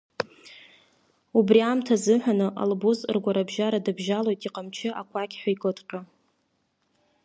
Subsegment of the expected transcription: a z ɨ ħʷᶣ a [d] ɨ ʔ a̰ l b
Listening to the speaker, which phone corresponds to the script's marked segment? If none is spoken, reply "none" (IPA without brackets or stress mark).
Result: n